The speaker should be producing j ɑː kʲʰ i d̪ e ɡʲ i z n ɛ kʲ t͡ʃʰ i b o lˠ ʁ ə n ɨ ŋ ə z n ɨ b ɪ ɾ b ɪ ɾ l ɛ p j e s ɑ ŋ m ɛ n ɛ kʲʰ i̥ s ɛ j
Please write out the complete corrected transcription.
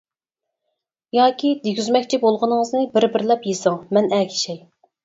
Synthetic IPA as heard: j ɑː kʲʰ i d̪ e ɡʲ y z m ɛ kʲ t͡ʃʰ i b o lˠ ʁ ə n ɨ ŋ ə z n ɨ b ɪ ɾ b ɪ ɾ l ɛ p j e s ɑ ŋ m ɛ n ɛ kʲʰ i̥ ʃ ɛ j